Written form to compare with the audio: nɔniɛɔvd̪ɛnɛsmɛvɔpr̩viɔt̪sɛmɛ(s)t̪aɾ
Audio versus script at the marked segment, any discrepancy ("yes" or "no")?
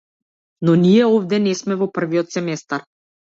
no